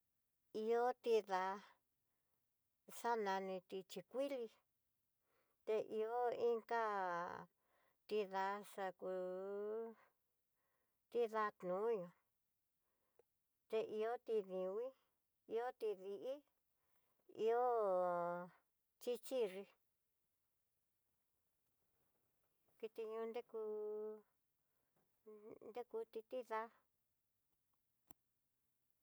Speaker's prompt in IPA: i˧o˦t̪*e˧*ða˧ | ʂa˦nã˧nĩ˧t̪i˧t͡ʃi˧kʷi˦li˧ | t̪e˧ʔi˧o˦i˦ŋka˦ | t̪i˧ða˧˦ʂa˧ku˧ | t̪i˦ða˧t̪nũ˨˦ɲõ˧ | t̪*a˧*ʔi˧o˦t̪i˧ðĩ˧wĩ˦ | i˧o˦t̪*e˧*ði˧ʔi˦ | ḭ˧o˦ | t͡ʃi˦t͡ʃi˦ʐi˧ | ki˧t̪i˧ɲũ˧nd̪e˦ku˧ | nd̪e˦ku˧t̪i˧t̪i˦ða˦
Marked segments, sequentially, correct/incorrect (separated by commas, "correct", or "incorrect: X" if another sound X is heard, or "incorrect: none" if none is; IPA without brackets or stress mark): incorrect: i˧, incorrect: e˧, incorrect: i˧